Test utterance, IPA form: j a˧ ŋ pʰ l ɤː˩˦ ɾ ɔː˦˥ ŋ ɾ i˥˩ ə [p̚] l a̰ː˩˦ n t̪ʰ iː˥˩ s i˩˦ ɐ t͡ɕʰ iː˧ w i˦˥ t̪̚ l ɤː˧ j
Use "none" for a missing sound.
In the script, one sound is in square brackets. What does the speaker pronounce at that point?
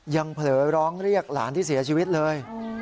k̚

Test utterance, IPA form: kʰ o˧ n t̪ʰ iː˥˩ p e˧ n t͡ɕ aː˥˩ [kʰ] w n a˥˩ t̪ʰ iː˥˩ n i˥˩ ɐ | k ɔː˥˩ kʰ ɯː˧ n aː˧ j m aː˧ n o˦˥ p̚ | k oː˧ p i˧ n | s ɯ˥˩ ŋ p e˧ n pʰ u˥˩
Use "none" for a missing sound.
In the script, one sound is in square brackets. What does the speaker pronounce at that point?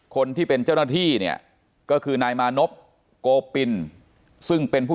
none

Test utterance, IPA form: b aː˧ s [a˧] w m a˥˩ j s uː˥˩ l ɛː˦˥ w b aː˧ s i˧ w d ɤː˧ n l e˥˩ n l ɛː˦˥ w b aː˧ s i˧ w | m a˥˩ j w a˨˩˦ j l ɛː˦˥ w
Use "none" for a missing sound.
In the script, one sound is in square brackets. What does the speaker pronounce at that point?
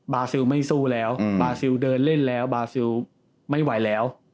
i˧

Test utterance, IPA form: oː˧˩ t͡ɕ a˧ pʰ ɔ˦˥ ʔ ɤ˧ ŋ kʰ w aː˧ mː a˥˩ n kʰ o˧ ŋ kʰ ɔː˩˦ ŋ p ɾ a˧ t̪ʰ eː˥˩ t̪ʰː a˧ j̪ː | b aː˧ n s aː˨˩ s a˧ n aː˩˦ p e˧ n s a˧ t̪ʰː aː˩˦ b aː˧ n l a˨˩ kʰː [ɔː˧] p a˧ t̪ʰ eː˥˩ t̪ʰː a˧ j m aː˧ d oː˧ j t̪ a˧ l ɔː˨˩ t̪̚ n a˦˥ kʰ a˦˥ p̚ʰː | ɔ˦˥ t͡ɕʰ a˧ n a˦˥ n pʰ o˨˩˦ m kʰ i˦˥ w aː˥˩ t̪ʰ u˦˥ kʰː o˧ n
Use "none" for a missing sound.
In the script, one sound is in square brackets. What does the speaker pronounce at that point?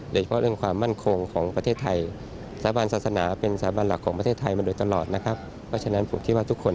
ɔː˩˦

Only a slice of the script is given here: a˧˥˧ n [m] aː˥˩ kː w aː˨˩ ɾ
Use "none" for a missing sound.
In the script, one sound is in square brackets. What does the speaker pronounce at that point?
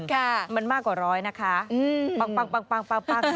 m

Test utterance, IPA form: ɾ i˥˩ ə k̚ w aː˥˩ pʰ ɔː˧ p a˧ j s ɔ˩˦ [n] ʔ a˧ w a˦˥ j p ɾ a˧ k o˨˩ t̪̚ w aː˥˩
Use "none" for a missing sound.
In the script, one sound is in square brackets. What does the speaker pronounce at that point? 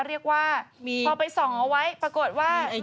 ŋ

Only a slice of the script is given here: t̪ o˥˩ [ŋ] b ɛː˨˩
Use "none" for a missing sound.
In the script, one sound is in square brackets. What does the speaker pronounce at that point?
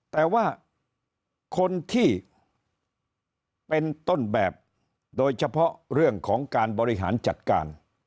n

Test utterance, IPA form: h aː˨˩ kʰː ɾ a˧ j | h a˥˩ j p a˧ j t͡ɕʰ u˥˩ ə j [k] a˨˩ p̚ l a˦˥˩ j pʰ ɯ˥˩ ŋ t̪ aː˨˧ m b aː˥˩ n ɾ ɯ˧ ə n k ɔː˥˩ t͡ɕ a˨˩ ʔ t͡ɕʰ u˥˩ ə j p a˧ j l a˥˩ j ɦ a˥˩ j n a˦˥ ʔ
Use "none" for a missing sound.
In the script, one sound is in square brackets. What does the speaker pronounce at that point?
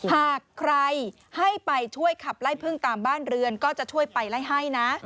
kʰ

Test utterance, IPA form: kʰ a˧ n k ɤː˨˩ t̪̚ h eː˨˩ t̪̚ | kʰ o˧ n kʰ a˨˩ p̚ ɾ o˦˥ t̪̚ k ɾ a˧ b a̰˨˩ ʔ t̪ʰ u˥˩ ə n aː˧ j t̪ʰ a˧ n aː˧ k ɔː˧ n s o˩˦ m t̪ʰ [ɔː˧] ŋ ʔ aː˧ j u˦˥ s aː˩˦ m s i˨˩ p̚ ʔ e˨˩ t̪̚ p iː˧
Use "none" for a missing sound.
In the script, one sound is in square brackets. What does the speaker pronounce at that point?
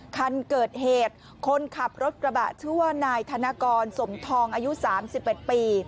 ɔː˧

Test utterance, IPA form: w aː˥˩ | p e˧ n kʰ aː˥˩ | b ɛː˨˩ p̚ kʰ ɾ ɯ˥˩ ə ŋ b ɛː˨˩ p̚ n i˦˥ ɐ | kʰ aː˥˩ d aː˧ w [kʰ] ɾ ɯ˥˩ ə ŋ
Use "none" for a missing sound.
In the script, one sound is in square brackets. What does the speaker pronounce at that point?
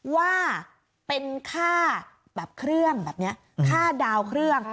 kʰ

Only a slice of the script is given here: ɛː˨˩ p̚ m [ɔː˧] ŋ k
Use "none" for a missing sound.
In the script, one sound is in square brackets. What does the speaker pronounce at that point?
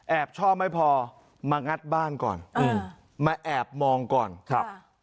ɔː˧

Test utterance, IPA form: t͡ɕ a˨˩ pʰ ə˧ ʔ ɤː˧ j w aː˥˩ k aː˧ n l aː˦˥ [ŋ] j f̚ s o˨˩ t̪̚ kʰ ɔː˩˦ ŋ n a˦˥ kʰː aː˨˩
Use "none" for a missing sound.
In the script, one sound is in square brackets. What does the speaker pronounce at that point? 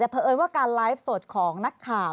none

